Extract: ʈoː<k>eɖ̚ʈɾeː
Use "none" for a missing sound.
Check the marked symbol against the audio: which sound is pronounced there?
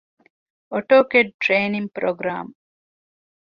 k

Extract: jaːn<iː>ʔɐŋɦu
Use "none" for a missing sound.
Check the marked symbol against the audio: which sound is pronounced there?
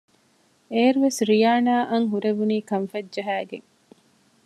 aː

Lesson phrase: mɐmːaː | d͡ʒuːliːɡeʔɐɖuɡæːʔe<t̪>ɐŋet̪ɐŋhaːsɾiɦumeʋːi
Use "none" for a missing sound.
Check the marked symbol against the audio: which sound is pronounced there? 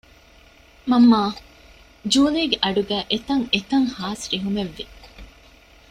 t̪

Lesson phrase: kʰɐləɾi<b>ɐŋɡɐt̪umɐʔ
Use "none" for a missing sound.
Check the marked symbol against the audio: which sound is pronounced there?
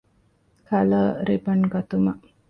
b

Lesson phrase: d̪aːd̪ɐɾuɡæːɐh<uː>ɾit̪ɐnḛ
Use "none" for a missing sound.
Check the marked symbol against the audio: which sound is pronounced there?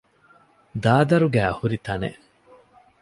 u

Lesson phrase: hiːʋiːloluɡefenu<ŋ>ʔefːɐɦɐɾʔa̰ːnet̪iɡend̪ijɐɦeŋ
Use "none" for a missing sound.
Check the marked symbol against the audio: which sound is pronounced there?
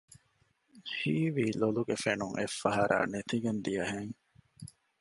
ŋ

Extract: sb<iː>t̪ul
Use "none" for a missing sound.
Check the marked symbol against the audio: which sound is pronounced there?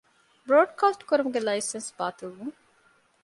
aː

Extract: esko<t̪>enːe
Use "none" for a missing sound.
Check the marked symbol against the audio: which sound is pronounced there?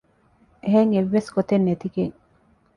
t̪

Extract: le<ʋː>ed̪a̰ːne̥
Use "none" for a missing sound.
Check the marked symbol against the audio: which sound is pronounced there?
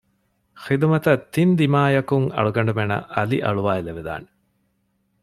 ʋ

